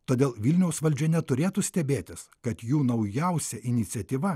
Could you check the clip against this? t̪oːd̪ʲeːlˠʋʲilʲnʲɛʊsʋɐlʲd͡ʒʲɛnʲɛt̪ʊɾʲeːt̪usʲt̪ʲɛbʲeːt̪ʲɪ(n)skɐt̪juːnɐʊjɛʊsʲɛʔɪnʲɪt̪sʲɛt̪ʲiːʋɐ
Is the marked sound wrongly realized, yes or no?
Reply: yes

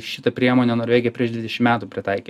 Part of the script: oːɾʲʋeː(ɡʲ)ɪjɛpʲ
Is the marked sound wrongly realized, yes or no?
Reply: no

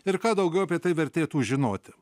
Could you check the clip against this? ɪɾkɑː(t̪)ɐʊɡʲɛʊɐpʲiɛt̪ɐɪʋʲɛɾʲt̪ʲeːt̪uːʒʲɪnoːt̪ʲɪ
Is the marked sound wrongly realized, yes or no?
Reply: yes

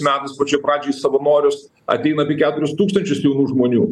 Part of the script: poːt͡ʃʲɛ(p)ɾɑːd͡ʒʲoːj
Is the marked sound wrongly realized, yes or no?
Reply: no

